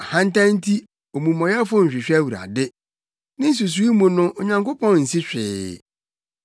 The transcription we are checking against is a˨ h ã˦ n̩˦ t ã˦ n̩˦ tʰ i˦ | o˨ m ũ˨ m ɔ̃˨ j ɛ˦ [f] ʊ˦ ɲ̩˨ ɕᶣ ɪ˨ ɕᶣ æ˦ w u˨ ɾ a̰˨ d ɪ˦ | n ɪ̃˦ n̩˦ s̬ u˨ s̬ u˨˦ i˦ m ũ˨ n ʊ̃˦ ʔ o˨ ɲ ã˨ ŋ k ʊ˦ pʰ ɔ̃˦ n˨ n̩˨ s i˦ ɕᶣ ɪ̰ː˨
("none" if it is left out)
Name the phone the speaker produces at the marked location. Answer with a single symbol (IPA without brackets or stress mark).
f